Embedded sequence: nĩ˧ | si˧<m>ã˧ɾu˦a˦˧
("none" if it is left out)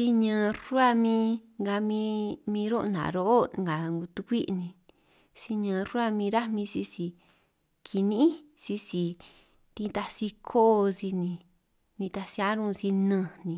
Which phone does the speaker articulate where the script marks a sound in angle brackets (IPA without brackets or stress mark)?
ɲ